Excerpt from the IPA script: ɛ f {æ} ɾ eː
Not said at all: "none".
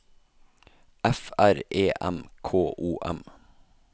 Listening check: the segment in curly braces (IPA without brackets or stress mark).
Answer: æ